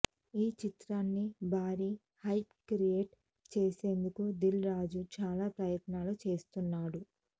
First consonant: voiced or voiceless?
voiceless